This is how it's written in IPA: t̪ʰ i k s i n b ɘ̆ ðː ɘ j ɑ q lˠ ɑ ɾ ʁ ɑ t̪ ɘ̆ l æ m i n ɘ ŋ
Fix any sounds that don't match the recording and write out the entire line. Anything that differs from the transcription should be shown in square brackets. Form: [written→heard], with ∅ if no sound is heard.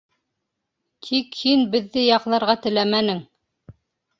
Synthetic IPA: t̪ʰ i k [s→h] i n b ɘ̆ ðː ɘ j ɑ q lˠ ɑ ɾ ʁ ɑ t̪ ɘ̆ l æ m [i→æ] n ɘ ŋ